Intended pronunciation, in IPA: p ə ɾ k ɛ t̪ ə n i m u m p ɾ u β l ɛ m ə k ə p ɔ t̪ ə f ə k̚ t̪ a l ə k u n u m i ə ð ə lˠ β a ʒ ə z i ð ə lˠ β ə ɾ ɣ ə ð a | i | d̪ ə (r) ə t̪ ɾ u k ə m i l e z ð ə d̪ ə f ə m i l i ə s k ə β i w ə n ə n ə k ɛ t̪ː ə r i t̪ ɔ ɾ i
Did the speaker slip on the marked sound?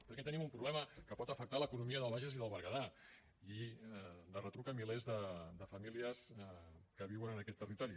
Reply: no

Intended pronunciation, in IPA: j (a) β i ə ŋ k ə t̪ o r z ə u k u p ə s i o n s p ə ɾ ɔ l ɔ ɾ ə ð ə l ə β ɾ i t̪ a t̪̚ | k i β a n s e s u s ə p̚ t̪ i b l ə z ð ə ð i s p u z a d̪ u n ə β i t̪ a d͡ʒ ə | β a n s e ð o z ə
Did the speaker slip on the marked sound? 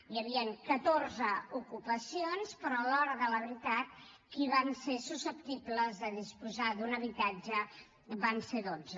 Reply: yes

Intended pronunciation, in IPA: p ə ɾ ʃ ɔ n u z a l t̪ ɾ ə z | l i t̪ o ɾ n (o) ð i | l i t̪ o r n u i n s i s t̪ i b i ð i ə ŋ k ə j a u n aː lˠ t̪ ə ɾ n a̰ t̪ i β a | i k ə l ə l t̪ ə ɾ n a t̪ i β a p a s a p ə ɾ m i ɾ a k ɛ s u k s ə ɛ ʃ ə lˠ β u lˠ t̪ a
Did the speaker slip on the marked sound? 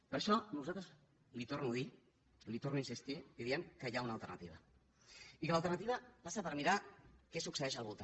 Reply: yes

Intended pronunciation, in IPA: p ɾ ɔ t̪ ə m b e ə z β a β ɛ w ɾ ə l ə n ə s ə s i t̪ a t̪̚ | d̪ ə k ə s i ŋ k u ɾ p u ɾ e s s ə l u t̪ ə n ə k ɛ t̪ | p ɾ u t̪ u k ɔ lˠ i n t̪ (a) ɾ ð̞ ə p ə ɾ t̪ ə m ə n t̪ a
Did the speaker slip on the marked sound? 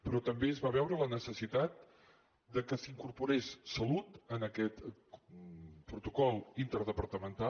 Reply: yes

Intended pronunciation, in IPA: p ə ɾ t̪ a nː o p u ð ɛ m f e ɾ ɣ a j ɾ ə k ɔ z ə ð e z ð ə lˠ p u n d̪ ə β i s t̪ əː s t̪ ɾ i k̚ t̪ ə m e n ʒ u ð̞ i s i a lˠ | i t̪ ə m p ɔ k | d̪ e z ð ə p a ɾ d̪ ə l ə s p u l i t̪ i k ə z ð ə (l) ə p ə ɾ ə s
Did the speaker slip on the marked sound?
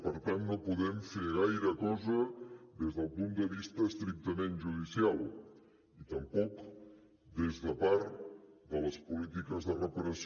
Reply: yes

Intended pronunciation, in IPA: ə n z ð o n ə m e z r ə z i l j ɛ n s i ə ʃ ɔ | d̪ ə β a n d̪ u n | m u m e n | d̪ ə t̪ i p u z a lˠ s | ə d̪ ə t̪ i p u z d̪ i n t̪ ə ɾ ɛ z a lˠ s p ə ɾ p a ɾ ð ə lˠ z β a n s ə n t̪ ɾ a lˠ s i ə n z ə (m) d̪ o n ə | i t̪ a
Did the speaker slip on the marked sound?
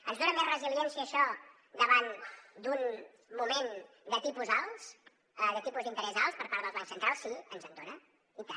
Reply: yes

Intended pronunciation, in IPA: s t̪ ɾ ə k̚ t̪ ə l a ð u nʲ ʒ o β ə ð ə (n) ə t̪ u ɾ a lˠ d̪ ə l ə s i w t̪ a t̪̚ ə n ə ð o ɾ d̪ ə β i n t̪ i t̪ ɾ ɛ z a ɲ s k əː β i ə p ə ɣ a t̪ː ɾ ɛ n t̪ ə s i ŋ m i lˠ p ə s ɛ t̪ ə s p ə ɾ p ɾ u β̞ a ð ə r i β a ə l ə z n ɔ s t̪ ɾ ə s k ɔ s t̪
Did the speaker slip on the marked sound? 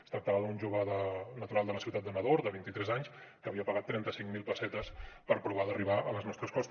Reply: no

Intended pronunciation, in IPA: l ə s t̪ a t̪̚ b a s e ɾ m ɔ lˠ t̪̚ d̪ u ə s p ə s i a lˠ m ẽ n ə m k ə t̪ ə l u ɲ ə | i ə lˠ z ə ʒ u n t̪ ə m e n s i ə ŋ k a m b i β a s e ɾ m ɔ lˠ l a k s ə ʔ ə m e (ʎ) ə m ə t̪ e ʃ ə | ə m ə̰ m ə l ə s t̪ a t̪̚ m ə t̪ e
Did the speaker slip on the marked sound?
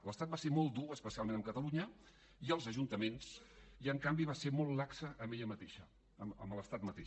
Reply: no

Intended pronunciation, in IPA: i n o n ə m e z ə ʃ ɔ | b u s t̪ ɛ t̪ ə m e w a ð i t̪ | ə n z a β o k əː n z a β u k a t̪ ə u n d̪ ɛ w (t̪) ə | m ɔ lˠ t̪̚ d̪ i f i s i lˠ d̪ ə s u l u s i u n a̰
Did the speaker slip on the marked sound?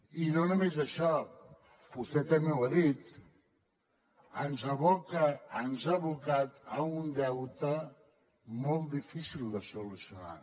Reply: no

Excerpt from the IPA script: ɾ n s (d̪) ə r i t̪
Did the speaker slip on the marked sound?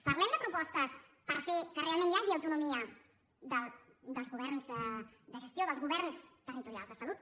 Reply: yes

